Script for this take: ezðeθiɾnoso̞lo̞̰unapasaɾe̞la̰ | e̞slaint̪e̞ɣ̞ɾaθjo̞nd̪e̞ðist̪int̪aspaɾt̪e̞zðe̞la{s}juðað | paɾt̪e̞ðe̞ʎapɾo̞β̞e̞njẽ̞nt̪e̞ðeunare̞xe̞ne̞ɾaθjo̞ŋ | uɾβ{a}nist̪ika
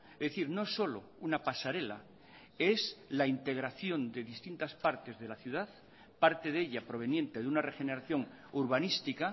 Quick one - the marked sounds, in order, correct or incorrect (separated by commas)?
incorrect, correct